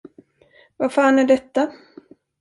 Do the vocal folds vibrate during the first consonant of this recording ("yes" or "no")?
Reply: yes